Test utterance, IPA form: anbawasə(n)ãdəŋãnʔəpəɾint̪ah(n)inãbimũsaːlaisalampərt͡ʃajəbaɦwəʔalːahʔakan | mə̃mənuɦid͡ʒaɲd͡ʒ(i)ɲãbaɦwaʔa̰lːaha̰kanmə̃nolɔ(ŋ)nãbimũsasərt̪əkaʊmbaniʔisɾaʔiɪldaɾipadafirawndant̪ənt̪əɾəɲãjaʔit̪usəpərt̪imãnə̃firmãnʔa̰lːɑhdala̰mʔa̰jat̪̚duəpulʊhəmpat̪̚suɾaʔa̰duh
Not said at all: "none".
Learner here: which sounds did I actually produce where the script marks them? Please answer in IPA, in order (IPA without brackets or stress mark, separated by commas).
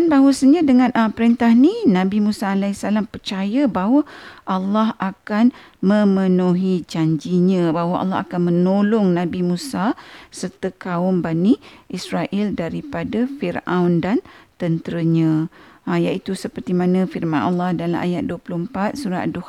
ɲ, n, i, ŋ